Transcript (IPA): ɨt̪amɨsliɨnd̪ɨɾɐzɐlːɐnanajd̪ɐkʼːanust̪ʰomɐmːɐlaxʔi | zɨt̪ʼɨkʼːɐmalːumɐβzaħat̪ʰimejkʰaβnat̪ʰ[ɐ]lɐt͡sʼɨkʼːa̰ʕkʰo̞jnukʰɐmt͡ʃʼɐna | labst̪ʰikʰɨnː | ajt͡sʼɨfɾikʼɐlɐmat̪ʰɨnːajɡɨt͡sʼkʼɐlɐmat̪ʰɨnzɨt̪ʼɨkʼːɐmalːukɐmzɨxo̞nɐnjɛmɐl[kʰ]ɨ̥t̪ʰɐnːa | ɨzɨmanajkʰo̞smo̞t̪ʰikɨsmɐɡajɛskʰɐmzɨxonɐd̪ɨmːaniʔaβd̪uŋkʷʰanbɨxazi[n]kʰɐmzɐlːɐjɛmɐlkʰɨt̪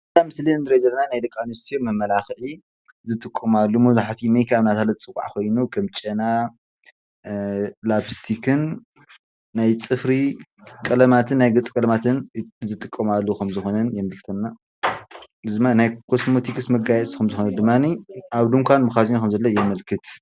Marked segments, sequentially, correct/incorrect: incorrect: a, incorrect: k, correct

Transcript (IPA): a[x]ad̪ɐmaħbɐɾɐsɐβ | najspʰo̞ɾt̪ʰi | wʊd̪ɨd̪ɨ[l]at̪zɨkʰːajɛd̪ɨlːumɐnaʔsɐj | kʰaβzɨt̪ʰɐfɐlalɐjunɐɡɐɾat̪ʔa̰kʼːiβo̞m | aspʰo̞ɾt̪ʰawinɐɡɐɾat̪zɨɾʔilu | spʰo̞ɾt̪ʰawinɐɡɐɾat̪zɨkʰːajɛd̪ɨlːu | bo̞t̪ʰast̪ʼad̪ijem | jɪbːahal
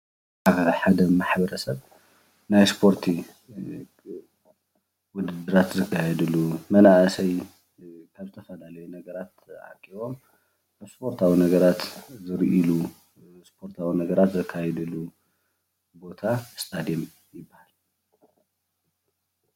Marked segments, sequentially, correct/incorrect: incorrect: ħ, incorrect: ɾ

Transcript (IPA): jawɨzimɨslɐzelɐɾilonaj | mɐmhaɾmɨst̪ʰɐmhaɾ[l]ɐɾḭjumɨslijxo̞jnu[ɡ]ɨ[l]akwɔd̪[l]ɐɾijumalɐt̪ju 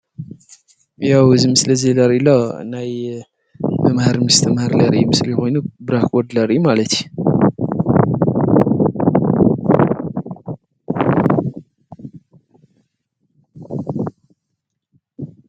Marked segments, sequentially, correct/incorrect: correct, incorrect: b, incorrect: ɾ, correct

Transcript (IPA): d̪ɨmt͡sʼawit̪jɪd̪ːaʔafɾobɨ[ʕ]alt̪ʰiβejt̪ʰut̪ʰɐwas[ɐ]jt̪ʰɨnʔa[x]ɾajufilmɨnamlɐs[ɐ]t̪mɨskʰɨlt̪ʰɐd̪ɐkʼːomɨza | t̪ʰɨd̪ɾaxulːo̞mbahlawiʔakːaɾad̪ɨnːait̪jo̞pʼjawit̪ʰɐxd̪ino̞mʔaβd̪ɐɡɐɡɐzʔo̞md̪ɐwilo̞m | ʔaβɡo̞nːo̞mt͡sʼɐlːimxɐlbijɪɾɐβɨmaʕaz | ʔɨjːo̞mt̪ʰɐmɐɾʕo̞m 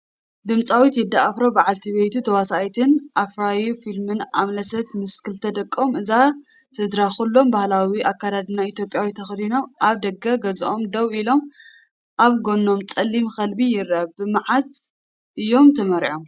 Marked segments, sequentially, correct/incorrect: correct, incorrect: a, incorrect: f, correct

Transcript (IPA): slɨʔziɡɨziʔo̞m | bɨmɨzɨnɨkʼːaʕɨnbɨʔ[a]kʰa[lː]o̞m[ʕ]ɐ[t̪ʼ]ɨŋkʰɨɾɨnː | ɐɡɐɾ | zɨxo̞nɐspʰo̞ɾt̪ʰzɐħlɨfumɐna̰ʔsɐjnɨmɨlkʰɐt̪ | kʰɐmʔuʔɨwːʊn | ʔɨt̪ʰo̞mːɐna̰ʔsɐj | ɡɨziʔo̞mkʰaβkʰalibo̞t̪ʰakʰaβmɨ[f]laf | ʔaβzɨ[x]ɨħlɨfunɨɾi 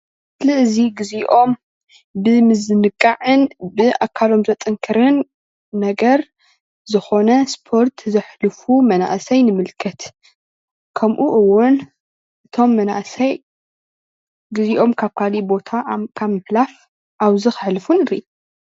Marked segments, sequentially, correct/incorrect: correct, incorrect: l, incorrect: z, correct, incorrect: ħ, correct

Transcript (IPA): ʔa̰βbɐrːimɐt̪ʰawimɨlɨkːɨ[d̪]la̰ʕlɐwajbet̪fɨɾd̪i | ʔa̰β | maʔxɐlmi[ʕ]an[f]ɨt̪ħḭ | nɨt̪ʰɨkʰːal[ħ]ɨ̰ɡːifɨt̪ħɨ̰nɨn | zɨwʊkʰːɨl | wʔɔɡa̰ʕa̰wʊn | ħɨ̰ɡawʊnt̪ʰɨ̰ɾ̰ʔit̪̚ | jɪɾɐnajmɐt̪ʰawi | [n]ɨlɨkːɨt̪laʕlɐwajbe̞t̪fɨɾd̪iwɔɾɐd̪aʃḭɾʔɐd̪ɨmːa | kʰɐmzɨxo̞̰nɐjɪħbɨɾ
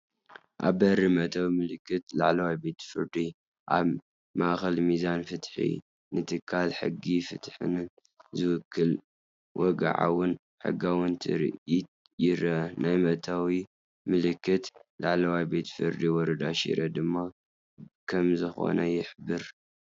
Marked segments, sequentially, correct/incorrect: incorrect: t̪, incorrect: z, correct, correct, incorrect: m

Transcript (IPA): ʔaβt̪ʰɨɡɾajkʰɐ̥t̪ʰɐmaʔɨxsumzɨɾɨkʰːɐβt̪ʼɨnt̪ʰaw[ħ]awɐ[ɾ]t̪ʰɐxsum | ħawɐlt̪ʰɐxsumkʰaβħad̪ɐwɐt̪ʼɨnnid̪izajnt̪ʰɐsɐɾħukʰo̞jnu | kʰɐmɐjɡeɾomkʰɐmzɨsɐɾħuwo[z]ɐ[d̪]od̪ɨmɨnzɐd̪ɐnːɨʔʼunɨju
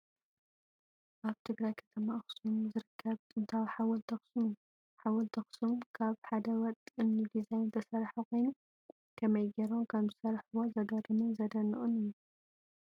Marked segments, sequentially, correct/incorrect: correct, incorrect: l, correct, correct

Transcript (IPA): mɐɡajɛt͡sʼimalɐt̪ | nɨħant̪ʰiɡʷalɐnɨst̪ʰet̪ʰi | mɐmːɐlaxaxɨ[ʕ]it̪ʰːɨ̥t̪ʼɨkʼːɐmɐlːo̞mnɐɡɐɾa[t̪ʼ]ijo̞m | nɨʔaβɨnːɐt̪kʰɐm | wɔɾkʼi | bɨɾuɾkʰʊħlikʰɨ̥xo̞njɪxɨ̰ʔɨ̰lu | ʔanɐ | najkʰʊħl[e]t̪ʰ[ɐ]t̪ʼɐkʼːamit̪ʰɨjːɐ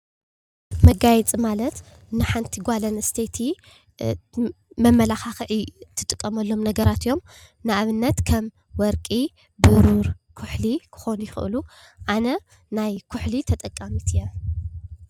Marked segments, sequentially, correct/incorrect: correct, incorrect: t̪, incorrect: i, correct

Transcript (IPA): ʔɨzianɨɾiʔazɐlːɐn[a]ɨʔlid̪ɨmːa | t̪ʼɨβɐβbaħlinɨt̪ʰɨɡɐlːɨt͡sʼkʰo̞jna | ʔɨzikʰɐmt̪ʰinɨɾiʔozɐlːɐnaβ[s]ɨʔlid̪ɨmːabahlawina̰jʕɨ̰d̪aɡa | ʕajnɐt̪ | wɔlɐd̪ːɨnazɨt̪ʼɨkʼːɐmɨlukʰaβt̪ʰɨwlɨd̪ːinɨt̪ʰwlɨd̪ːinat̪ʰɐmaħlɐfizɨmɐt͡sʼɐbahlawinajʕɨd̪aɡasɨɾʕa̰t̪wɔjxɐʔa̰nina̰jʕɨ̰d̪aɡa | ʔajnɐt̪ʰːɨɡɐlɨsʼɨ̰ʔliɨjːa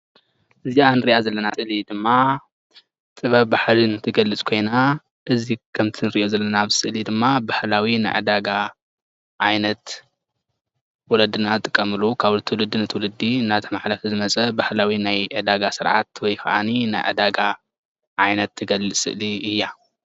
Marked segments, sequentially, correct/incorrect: correct, correct

